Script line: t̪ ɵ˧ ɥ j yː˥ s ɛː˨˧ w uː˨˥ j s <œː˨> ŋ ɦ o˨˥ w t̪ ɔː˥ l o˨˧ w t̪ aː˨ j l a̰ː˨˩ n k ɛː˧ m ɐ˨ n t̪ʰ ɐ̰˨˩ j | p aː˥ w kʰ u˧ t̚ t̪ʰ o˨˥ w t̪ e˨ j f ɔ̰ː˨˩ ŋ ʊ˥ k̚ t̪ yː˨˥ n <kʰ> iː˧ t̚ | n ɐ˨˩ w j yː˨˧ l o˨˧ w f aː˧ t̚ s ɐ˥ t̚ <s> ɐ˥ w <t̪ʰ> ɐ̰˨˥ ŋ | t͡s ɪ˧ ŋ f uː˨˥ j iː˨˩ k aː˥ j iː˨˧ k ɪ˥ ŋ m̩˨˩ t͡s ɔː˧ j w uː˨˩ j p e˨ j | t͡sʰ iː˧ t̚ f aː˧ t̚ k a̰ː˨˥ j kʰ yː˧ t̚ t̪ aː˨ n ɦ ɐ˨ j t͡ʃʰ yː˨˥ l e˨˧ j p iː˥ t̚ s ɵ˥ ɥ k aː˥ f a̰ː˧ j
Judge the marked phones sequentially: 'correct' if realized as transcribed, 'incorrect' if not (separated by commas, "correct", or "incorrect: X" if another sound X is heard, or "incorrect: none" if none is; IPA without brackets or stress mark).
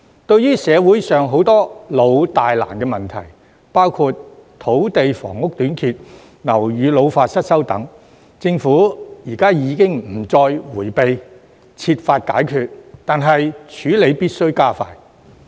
correct, correct, correct, incorrect: t̪